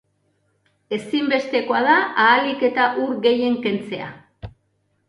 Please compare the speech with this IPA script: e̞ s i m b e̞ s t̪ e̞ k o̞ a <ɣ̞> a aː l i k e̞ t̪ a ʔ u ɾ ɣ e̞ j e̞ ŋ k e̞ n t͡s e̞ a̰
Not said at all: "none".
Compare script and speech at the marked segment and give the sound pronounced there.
ð̞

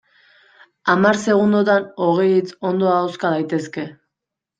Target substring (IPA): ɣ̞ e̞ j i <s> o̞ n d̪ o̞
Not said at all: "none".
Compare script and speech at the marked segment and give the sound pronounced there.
t͡s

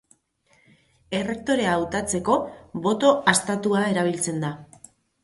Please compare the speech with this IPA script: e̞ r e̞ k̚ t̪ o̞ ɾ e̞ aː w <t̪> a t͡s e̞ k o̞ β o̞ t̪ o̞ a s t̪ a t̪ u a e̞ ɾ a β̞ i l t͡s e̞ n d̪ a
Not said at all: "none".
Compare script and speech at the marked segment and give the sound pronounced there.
t̪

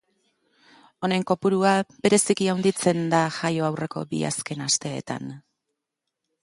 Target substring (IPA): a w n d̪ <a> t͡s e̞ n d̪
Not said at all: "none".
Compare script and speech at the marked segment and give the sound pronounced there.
i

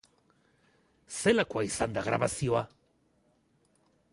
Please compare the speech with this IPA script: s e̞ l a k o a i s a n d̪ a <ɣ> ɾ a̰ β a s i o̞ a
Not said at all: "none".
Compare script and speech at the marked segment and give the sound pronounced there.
ɣ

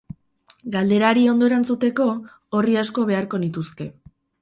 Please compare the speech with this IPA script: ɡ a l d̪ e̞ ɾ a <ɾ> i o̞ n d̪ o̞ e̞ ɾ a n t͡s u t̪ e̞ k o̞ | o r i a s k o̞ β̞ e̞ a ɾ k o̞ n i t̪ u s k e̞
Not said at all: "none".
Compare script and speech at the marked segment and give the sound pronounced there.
ɾ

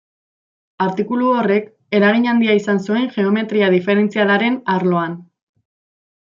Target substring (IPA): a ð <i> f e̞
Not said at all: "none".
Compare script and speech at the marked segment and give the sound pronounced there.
i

